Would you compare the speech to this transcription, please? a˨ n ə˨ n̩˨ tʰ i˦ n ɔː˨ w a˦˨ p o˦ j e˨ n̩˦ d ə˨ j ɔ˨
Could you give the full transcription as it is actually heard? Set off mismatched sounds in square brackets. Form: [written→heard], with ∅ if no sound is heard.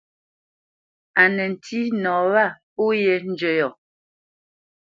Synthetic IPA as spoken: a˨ n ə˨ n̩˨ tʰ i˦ n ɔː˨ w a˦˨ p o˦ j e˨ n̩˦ [d→d͡ʒ] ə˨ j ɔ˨